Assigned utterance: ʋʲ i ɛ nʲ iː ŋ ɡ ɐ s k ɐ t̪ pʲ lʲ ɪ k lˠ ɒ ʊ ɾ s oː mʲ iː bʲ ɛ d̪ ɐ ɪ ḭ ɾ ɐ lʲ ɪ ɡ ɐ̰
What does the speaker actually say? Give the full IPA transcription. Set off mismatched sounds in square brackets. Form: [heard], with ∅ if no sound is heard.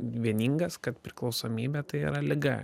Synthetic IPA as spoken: ʋʲ i ɛ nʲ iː ŋ ɡ ɐ s k ɐ t̪ pʲ [ɾʲ] ɪ k lˠ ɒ ʊ [∅] s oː mʲ iː bʲ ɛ [t̪] ɐ ɪ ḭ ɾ ɐ lʲ ɪ ɡ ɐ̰